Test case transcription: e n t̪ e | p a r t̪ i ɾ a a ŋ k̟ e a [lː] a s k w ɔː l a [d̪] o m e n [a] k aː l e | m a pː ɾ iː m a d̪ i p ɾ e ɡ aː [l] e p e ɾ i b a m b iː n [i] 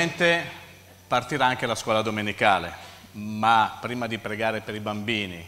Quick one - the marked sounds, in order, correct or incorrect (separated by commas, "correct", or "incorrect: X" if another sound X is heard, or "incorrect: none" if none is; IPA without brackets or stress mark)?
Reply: incorrect: l, correct, incorrect: i, incorrect: ɾ, correct